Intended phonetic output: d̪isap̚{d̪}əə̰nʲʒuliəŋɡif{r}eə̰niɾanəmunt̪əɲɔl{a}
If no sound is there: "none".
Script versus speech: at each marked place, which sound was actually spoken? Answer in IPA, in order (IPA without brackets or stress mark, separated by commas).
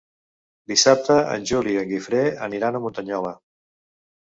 t̪, ɾ, ə